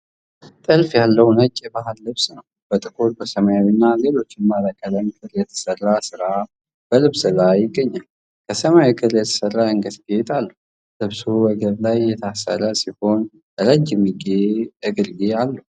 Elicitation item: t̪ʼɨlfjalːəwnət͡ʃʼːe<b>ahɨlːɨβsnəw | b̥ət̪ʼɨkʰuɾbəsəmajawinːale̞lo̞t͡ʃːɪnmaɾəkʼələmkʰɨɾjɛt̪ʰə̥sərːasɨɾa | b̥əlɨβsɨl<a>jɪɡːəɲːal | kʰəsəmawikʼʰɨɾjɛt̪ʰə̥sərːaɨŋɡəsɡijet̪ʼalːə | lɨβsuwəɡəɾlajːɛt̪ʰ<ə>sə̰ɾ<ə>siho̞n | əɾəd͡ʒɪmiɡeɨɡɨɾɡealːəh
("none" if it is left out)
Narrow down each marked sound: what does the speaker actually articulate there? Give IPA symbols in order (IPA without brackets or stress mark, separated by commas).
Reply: b, a, a, ə